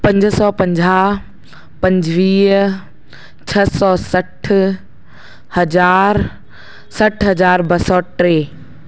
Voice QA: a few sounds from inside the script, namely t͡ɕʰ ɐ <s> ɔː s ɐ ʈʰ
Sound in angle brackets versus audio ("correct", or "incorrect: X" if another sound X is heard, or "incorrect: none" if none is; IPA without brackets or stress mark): correct